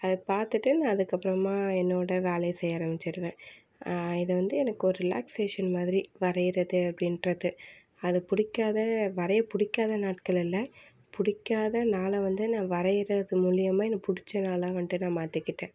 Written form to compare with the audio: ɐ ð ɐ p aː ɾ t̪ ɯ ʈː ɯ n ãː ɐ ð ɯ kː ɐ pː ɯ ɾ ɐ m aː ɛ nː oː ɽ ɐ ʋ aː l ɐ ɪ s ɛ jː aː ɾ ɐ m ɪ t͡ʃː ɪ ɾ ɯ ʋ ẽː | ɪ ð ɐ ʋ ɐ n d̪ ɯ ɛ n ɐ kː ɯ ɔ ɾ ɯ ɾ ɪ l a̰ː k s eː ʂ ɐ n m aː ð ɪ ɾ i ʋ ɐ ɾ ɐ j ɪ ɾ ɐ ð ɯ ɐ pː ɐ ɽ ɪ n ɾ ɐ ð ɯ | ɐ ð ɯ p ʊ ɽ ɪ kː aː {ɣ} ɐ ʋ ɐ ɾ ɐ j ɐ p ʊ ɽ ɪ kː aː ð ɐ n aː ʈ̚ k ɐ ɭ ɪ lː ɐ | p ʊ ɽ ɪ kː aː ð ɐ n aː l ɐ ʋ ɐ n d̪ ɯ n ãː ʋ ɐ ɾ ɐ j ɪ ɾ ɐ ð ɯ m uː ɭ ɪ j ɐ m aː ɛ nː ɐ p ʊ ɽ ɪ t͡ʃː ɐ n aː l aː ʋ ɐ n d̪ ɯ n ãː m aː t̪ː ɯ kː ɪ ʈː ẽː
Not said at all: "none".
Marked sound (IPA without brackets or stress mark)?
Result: ð